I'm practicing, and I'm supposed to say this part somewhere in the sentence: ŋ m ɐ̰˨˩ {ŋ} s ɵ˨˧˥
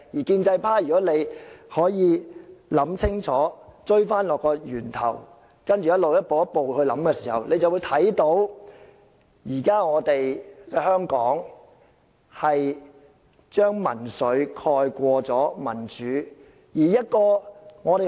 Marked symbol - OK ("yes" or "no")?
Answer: no